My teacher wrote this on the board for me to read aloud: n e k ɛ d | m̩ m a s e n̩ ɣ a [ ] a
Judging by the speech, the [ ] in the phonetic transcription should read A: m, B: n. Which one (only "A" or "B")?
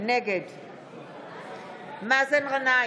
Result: B